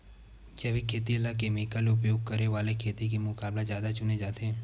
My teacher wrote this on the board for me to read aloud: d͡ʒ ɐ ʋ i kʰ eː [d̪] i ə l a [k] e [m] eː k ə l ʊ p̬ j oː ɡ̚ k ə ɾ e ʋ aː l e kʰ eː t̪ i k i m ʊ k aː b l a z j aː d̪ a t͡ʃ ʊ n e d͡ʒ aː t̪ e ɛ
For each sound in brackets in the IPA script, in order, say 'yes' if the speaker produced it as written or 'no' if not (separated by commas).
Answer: no, yes, yes